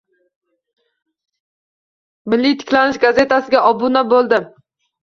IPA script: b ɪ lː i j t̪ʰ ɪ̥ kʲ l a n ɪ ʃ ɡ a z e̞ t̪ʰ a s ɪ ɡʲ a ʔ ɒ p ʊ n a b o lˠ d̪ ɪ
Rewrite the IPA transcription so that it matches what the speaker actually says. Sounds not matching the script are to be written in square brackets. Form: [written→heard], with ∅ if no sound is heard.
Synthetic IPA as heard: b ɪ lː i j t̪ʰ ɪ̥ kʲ l a n ɪ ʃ ɡ a z e̞ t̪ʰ a s ɪ ɡʲ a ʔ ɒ [p→b] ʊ n a b o lˠ d̪ ɪ